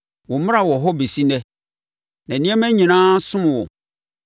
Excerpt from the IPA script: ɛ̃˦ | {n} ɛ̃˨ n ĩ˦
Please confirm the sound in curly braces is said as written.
yes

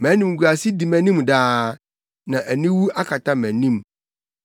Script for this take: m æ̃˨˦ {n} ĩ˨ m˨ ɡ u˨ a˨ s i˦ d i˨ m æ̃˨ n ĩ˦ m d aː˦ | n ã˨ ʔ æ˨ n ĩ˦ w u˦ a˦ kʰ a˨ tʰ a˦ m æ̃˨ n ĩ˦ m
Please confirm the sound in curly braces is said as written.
yes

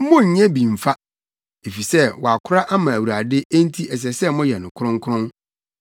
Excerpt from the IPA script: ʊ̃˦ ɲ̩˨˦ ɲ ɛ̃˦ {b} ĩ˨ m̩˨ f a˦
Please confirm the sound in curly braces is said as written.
yes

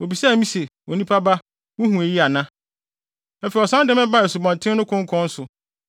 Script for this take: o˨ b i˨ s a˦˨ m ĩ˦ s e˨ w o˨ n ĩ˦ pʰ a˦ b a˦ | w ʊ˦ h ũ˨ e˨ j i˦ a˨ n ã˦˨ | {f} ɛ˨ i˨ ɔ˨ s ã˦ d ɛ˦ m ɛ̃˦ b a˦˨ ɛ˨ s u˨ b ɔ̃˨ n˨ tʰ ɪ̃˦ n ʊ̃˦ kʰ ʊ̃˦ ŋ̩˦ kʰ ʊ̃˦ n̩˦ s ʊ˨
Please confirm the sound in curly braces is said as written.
yes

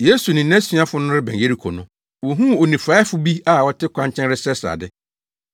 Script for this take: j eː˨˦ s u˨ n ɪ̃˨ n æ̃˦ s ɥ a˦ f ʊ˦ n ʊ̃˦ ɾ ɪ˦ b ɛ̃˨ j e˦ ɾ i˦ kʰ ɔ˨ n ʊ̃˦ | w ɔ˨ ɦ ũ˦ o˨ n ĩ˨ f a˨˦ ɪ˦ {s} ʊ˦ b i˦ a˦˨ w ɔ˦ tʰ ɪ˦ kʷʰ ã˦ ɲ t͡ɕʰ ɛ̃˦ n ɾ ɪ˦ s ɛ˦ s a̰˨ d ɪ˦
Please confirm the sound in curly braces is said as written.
no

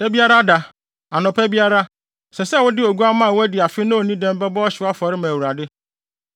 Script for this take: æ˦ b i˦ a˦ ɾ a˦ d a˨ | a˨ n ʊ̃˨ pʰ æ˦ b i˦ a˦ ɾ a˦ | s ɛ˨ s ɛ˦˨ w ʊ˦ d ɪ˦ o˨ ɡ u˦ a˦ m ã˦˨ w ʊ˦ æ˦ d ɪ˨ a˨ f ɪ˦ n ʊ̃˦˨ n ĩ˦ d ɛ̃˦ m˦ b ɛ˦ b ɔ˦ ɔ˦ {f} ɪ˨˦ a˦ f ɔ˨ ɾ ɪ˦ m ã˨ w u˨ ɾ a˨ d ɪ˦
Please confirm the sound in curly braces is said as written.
no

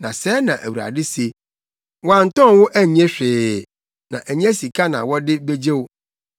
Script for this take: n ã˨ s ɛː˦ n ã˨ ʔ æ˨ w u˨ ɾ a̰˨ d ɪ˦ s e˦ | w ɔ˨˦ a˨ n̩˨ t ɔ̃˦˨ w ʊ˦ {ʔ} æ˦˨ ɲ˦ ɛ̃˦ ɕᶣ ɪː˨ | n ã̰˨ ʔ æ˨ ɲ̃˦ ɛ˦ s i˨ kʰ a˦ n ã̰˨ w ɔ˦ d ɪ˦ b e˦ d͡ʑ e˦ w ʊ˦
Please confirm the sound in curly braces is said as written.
yes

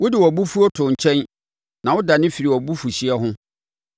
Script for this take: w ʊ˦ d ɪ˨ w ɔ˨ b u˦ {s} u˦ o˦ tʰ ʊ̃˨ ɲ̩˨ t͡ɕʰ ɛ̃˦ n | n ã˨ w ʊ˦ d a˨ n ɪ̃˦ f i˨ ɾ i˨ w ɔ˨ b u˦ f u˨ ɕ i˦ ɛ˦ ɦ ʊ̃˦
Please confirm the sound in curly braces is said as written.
no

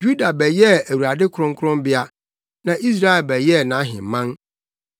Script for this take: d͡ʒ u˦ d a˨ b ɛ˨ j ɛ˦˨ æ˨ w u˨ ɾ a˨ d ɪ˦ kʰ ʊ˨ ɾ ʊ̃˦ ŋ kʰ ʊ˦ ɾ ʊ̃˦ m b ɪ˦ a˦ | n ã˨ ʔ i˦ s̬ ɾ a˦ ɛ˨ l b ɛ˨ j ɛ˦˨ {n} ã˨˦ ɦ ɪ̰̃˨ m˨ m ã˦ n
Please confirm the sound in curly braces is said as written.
yes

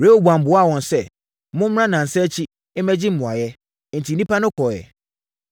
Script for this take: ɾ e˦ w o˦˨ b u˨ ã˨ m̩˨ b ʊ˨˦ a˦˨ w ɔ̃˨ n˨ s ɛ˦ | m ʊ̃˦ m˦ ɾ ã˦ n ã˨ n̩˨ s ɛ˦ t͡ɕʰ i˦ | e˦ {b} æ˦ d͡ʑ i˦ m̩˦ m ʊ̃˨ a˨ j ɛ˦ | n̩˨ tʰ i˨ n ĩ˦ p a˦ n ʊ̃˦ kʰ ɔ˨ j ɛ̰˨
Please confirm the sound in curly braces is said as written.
no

